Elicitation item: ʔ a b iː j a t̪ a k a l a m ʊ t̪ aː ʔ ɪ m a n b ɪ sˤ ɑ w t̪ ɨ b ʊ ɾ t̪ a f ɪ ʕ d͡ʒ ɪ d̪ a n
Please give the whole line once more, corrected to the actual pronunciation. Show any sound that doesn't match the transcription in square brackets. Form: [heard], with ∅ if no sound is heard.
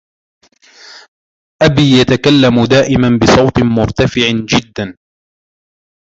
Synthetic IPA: ʔ a b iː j a t̪ a k a [lː] a m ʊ [d̪] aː ʔ ɪ m a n b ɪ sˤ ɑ w t̪ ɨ [m] ʊ ɾ t̪ a f ɪ ʕ d͡ʒ ɪ [d̪ː] a n